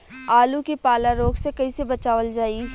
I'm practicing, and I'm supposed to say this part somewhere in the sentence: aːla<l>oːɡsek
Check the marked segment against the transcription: incorrect: ɾ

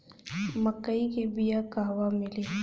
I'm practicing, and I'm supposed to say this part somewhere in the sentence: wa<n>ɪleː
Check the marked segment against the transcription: incorrect: m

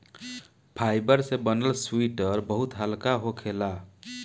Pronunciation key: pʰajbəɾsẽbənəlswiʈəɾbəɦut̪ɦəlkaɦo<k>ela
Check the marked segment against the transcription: incorrect: kʰ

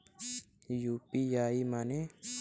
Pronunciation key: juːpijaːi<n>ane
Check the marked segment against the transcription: incorrect: m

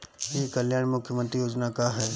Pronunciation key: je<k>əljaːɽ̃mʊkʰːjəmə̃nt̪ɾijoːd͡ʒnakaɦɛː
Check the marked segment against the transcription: correct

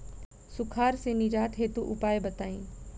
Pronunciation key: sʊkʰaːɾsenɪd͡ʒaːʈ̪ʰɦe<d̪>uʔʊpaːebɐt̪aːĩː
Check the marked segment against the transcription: incorrect: t̪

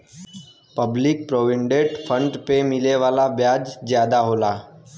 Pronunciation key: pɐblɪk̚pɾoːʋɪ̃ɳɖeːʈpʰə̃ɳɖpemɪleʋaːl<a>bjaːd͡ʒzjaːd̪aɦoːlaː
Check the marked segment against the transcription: correct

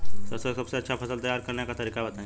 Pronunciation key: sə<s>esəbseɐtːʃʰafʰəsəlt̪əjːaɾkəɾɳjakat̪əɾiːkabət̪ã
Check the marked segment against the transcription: correct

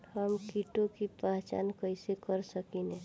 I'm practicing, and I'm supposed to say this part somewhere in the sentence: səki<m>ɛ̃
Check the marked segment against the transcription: incorrect: n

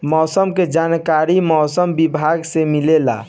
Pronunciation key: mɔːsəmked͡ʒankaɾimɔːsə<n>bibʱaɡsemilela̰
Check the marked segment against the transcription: incorrect: m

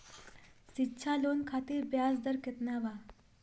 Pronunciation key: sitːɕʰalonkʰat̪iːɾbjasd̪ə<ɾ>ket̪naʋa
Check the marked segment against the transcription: correct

